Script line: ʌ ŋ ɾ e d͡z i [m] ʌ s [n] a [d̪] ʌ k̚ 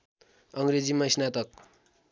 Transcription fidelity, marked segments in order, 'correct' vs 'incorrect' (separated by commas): correct, correct, incorrect